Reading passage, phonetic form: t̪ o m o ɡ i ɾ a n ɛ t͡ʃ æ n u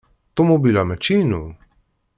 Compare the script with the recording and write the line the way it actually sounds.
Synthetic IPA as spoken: t̪ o m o b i l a m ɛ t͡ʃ i n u